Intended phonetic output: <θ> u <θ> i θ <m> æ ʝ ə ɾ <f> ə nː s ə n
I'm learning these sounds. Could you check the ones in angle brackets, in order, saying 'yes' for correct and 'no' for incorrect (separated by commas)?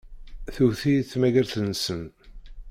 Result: yes, yes, yes, no